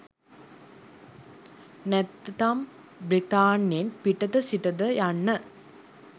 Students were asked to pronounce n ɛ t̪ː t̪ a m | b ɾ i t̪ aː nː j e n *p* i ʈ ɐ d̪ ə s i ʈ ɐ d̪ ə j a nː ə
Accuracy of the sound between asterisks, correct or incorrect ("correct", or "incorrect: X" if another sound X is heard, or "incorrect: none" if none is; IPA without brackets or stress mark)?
correct